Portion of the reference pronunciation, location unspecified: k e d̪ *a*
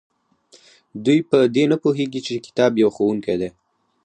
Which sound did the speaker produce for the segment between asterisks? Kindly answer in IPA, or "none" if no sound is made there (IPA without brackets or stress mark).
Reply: e